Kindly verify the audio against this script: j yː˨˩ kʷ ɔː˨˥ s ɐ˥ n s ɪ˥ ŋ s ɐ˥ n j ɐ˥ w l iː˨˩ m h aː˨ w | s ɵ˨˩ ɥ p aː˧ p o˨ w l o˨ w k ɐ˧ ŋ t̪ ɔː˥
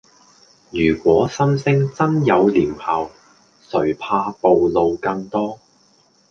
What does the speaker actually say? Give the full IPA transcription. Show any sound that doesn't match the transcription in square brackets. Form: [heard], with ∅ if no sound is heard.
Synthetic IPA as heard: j yː˨˩ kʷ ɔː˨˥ s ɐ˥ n s ɪ˥ ŋ [t͡s] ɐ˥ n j [ɐ˨˧] w l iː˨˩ m h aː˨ w | s ɵ˨˩ ɥ [pʰ] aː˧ p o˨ w l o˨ w k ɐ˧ ŋ t̪ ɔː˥